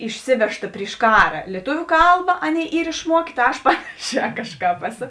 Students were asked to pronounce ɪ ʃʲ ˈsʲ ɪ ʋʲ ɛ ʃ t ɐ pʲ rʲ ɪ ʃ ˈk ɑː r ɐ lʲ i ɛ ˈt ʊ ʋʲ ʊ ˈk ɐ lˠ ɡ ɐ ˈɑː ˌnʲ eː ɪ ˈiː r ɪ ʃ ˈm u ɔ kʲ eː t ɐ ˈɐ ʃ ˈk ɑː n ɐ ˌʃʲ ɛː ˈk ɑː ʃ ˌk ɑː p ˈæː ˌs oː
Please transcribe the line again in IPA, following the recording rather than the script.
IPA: ɪ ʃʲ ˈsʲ ɪ ʋʲ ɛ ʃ t ɐ pʲ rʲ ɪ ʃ ˈk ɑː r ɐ lʲ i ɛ ˈt ʊ ʋʲ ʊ ˈk ɐ lˠ b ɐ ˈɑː ˌnʲ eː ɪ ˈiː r ɪ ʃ ˈm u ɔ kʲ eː t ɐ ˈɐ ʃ ˈp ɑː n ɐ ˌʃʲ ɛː ˈk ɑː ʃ ˌk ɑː p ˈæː ˌs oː

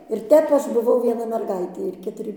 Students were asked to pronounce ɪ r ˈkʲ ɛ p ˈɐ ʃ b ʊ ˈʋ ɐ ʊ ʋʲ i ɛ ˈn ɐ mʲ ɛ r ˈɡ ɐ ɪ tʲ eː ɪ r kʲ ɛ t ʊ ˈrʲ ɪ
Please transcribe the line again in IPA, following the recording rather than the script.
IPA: ɪ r ˈtʲ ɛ p ˈɐ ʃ b ʊ ˈʋ ɐ ʊ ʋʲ i ɛ ˈn ɐ mʲ ɛ r ˈɡ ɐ ɪ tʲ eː ɪ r kʲ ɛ t ʊ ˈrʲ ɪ

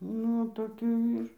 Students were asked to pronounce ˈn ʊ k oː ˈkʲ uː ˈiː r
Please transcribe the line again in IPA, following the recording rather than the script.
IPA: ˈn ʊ t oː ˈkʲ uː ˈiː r

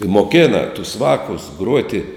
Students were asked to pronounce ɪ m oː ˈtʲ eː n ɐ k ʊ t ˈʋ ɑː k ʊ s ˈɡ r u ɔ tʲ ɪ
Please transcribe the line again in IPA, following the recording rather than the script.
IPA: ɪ m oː ˈkʲ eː n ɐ t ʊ s ˈʋ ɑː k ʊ s ˈɡ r u ɔ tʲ ɪ

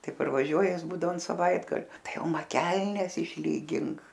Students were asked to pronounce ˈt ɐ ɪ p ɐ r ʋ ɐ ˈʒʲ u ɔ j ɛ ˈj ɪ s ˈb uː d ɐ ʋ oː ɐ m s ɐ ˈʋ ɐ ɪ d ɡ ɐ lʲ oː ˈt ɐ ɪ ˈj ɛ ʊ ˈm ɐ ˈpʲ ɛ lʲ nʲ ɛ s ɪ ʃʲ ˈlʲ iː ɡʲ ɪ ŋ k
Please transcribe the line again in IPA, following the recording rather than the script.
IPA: ˈt ɐ ɪ p ɐ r ʋ ɐ ˈʒʲ u ɔ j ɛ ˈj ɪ s ˈb uː d ɐ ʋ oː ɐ n s ɐ ˈʋ ɐ ɪ d ɡ ɐ lʲ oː ˈt ɐ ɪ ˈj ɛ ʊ ˈm ɐ ˈkʲ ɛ lʲ nʲ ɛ s ɪ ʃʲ ˈlʲ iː ɡʲ ɪ ŋ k

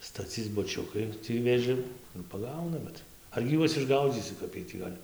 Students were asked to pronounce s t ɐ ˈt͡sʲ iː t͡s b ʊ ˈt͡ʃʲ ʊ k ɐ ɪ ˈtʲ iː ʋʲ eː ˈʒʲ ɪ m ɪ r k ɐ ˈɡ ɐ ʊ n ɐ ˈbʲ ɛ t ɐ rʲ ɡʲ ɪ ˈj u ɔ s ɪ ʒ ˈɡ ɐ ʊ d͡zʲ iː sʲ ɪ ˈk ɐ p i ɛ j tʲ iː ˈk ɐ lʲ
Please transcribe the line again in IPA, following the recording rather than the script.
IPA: s t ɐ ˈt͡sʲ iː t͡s b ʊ ˈt͡ʃʲ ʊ k ɐ ɪ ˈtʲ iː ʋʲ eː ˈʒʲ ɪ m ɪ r p ɐ ˈɡ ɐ ʊ n ɐ ˈbʲ ɛ t ɐ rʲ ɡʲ ɪ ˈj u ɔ s ɪ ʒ ˈɡ ɐ ʊ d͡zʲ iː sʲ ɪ ˈk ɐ p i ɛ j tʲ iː ˈɡ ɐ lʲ

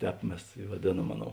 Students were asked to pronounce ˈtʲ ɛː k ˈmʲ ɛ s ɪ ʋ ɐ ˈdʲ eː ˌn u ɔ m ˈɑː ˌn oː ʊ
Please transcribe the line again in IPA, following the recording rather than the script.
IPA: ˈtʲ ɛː p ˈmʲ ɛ s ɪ ʋ ɐ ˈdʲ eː ˌn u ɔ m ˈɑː ˌn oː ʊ

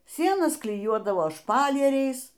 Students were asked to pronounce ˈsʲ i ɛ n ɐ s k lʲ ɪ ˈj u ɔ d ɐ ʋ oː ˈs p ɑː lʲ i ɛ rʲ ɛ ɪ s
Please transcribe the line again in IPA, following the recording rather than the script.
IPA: ˈsʲ i ɛ n ɐ s k lʲ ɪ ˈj u ɔ d ɐ ʋ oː ˈʃ p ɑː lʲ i ɛ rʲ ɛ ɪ s

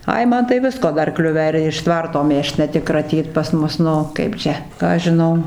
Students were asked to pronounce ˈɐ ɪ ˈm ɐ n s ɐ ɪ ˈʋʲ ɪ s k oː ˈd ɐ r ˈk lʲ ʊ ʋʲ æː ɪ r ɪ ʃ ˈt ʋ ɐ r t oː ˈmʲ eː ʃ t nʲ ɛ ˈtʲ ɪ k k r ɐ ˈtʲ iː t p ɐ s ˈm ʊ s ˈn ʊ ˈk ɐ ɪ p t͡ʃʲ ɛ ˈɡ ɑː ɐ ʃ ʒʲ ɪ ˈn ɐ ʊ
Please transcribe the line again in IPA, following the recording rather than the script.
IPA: ˈɐ ɪ ˈm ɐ n t ɐ ɪ ˈʋʲ ɪ s k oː ˈd ɐ r ˈk lʲ ʊ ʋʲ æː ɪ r ɪ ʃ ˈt ʋ ɐ r t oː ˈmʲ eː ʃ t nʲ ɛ ˈtʲ ɪ k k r ɐ ˈtʲ iː t p ɐ s ˈm ʊ s ˈn ʊ ˈk ɐ ɪ p t͡ʃʲ ɛ ˈk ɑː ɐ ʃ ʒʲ ɪ ˈn ɐ ʊ

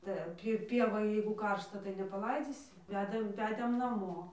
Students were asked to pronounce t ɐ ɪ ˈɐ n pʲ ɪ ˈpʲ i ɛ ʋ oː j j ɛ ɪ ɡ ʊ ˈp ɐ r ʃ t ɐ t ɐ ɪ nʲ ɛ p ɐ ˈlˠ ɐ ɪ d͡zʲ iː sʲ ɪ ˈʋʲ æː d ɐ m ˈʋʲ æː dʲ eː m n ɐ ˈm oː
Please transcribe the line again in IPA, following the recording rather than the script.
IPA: t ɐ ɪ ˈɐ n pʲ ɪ ˈpʲ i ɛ ʋ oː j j ɛ ɪ ɡ ʊ ˈk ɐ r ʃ t ɐ t ɐ ɪ nʲ ɛ p ɐ ˈlˠ ɐ ɪ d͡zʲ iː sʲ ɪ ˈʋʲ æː d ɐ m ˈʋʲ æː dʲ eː m n ɐ ˈm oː

